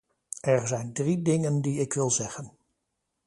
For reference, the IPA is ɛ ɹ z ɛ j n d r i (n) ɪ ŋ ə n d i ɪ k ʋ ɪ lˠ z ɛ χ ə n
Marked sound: incorrect: d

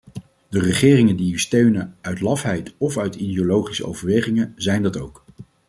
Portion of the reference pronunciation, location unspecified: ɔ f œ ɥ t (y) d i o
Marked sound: incorrect: i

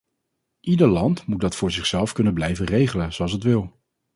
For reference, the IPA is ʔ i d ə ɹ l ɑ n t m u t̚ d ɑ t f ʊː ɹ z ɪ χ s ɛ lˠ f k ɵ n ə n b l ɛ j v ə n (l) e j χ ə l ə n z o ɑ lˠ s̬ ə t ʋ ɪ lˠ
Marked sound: incorrect: r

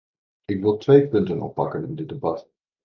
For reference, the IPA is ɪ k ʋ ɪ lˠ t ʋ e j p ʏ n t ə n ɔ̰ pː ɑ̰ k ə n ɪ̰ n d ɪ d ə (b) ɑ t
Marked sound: correct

